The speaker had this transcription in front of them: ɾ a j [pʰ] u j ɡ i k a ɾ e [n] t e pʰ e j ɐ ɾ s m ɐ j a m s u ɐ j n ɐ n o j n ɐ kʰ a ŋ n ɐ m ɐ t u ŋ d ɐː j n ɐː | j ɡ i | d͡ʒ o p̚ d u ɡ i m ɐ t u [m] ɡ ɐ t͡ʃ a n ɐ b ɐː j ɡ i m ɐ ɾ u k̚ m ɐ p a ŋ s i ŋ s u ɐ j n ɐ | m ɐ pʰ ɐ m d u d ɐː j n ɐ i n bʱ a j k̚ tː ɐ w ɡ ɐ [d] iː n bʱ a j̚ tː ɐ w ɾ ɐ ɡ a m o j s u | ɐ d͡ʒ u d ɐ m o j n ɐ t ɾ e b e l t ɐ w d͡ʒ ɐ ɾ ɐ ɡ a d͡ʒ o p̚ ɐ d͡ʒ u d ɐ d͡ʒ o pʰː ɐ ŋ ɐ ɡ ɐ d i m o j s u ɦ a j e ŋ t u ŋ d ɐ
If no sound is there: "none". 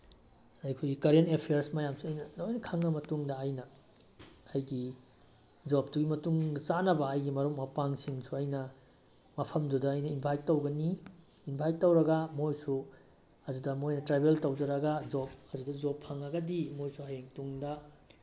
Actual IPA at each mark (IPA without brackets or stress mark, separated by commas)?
kʰ, n, ŋ, n